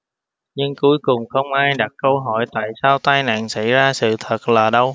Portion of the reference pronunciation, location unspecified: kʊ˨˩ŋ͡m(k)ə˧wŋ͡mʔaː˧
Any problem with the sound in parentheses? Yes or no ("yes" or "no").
yes